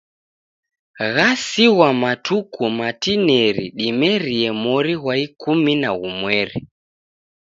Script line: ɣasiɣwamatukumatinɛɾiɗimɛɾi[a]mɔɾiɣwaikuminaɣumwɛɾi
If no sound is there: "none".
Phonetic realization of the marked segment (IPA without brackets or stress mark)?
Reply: ɛ